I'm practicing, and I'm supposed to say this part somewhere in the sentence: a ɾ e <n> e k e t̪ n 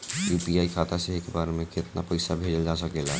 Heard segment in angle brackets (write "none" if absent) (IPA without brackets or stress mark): m